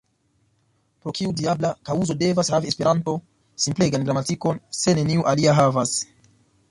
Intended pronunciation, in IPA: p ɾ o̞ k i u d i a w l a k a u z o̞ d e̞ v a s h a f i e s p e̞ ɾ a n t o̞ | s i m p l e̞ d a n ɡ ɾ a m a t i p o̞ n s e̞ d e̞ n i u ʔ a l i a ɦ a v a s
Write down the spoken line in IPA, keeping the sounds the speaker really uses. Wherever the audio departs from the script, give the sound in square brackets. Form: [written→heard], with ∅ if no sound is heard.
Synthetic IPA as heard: p ɾ o̞ k i u d i a [w→b] l a k a u z o̞ d e̞ v a s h a [f→v] i e s p e̞ ɾ a n t o̞ | s i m p l e̞ [d→ɡ] a n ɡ ɾ a m a t i [p→k] o̞ n s e̞ [d→n] e̞ n i u ʔ a l i a ɦ a v a s